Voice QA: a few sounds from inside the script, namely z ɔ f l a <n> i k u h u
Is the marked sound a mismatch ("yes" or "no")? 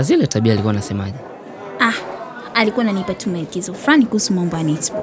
no